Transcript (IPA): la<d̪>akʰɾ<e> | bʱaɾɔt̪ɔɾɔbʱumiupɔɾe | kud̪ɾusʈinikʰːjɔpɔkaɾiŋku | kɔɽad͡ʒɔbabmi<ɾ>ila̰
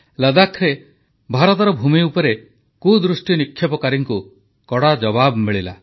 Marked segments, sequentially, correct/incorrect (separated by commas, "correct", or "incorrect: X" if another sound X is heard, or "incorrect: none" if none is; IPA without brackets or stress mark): correct, correct, incorrect: ɭ